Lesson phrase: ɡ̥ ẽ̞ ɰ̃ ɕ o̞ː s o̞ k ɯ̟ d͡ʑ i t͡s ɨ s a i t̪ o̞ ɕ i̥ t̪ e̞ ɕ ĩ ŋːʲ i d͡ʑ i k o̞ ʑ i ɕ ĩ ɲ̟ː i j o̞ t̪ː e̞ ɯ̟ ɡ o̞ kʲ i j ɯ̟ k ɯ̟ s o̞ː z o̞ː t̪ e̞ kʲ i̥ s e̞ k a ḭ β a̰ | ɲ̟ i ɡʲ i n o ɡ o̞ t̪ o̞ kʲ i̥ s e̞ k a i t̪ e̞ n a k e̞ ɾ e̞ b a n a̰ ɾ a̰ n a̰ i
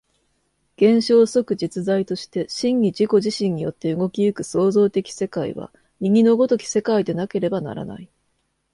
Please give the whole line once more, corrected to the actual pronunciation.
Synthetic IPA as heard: ɡ̥ ẽ̞ ɰ̃ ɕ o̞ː s o̞ k ɯ̟ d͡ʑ i t͡s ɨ z a i t̪ o̞ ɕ i̥ t̪ e̞ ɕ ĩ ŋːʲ i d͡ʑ i k o̞ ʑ i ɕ ĩ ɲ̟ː i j o̞ t̪ː e̞ ɯ̟ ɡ o̞ kʲ i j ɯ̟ k ɯ̟ s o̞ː z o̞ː t̪ e̞ kʲ i̥ s e̞ k a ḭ β a̰ | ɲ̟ i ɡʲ i n o ɡ o̞ t̪ o̞ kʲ i̥ s e̞ k a i d̪ e̞ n a k e̞ ɾ e̞ b a n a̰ ɾ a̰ n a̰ i

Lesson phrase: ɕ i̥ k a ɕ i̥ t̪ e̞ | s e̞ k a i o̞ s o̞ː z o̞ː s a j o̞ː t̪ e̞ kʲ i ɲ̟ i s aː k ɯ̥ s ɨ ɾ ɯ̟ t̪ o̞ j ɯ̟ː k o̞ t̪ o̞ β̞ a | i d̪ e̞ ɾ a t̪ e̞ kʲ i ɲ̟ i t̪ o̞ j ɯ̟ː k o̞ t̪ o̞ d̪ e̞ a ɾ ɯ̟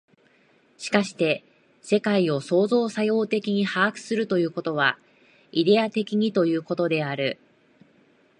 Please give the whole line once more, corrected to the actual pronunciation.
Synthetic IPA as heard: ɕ i̥ k a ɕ i̥ t̪ e̞ | s e̞ k a i o̞ s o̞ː z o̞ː s a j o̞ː t̪ e̞ kʲ i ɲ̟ i h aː k ɯ̥ s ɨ ɾ ɯ̟ t̪ o̞ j ɯ̟ː k o̞ t̪ o̞ β̞ a | i d̪ e̞ a t̪ e̞ kʲ i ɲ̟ i t̪ o̞ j ɯ̟ː k o̞ t̪ o̞ d̪ e̞ a ɾ ɯ̟

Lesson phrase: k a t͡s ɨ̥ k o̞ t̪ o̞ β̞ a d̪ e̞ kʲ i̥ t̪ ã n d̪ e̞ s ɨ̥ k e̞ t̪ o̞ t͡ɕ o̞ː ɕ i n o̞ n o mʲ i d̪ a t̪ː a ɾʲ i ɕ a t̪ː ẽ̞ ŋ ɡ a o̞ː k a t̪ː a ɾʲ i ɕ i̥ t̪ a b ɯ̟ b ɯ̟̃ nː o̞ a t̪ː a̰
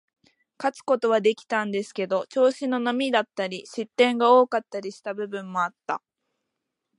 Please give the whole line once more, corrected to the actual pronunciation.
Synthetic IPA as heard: k a t͡s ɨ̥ k o̞ t̪ o̞ β̞ a d̪ e̞ kʲ i̥ t̪ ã n d̪ e̞ s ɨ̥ k e̞ d̪ o̞ t͡ɕ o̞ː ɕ i n o̞ n o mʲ i d̪ a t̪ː a ɾʲ i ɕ i t̪ː ẽ̞ ŋ ɡ a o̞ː k a t̪ː a ɾʲ i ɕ i̥ t̪ a b ɯ̟ b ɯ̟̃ mː o̞ a t̪ː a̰

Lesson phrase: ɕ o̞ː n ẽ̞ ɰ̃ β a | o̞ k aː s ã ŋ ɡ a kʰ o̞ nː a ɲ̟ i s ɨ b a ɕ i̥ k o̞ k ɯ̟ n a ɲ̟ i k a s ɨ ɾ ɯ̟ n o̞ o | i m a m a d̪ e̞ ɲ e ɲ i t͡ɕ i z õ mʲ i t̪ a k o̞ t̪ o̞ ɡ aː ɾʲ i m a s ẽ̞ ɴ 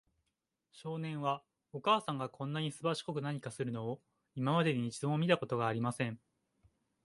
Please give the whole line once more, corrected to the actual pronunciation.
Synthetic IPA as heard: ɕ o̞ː n ẽ̞ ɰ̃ β a | o̞ k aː s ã ŋ ɡ a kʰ õ̞ nː a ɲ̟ i s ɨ b a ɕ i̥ k o̞ k ɯ̟ n a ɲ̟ i k a s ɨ ɾ ɯ̟ n o̞ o | i m a m a d̪ e̞ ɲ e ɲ i t͡ɕ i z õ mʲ i t̪ a k o̞ t̪ o̞ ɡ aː ɾʲ i m a s ẽ̞ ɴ

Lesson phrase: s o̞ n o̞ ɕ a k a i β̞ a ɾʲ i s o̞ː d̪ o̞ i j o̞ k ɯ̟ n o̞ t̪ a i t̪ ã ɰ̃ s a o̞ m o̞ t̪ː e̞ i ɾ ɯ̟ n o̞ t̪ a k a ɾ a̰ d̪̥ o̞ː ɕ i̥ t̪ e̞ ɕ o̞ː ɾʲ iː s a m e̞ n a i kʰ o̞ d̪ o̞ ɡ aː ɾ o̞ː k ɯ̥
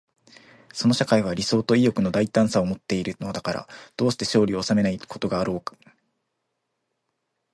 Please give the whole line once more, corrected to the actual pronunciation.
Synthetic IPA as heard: s o̞ n o̞ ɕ a k a i β̞ a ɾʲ i s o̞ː t̪ o̞ i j o̞ k ɯ̟ n o̞ d̪ a i t̪ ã ɰ̃ s a o̞ m o̞ t̪ː e̞ i ɾ ɯ̟ n o̞ d̪ a k a ɾ a̰ d̪̥ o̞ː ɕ i̥ t̪ e̞ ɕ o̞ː ɾʲ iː s a m e̞ n a i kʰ o̞ t̪ o̞ ɡ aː ɾ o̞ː k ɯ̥

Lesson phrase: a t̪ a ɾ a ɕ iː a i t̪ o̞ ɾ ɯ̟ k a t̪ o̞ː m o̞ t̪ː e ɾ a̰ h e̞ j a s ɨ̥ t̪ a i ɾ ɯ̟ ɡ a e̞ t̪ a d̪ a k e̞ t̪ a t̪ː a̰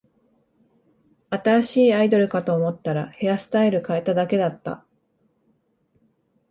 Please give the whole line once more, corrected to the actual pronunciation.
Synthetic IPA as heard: a t̪ a ɾ a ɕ iː a i d̪ o̞ ɾ ɯ̟ k a t̪ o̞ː m o̞ t̪ː a ɾ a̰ h e̞ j a s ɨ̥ t̪ a i ɾ ɯ̟ k a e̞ t̪ a d̪ a k e̞ d̪ a t̪ː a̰

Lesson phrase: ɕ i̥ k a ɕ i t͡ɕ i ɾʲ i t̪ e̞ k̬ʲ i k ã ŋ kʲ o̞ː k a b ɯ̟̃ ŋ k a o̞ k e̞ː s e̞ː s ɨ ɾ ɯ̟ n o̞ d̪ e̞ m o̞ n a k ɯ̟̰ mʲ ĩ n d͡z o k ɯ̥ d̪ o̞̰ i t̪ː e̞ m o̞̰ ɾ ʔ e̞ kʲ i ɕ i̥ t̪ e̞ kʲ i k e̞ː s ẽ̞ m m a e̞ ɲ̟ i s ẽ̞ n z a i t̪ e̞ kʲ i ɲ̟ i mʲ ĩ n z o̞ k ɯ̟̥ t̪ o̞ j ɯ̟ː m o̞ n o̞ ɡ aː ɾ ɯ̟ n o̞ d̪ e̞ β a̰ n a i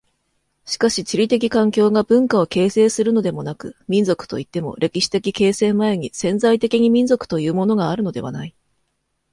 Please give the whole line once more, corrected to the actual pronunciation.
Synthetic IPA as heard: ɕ i̥ k a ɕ i t͡ɕ i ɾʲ i t̪ e̞ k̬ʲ i k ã ŋ kʲ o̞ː ɡ a b ɯ̟̃ ŋ k a o̞ k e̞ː s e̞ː s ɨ ɾ ɯ̟ n o̞ d̪ e̞ m o̞ n a k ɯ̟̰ mʲ ĩ n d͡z o k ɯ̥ t̪ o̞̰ i t̪ː e̞ m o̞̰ ɾ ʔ e̞ kʲ i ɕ i̥ t̪ e̞ kʲ i k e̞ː s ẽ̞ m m a e̞ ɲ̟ i s ẽ̞ n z a i t̪ e̞ kʲ i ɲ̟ i mʲ ĩ n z o̞ k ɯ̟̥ t̪ o̞ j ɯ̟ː m o̞ n o̞ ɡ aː ɾ ɯ̟ n o̞ d̪ e̞ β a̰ n a i

